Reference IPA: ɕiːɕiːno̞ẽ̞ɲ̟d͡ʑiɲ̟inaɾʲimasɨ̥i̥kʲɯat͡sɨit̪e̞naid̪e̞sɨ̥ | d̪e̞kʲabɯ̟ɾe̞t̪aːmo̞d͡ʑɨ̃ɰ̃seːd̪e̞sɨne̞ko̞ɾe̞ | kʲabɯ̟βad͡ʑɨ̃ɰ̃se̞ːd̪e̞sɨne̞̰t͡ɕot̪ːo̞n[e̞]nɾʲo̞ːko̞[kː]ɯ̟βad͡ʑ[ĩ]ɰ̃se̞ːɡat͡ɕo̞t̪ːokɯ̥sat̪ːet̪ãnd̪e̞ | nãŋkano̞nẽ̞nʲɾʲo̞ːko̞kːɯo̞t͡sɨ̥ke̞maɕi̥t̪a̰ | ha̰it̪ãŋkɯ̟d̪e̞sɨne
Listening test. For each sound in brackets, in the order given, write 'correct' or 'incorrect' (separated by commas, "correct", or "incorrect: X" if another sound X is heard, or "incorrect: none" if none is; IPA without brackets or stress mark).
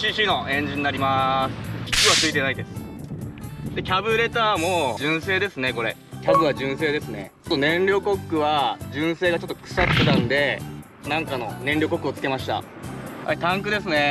incorrect: ẽ̞, correct, incorrect: ɨ̃